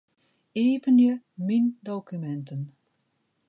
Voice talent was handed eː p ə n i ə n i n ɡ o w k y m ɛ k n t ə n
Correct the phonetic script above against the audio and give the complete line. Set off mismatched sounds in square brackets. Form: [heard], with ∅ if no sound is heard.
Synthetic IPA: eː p ə n [j] ə [m] i n [d] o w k y m ɛ [∅] n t ə n